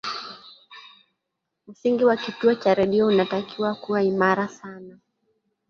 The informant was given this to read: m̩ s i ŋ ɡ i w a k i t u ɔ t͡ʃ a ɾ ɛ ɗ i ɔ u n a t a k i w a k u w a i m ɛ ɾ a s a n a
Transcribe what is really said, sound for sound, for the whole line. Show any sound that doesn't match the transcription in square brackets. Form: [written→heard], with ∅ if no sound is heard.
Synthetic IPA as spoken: m̩ s i ŋ ɡ i w a k i t u ɔ t͡ʃ a ɾ ɛ ɗ i ɔ u n a t a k i w a k u w a i m [ɛ→a] ɾ a s a n a